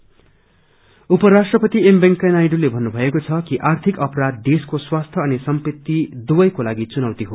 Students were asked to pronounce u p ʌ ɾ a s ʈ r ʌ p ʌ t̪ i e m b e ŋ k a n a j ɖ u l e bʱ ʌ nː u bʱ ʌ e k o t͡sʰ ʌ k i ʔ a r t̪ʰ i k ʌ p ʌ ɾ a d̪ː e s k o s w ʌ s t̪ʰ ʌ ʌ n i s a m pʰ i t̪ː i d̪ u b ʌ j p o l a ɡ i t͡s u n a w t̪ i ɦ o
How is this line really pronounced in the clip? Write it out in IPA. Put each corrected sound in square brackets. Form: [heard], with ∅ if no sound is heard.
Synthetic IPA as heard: u p ʌ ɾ a s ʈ r ʌ p ʌ t̪ i e m b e ŋ k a n a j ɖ u l e bʱ ʌ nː u bʱ ʌ e k o t͡sʰ ʌ k i ʔ a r t̪ʰ i k ʌ p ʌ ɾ a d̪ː e s k o s w [a] s t̪ʰ ʌ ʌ n i s [ʌ] m [p] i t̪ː i d̪ u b ʌ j [k] o l a ɡ i t͡s u n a w t̪ i ɦ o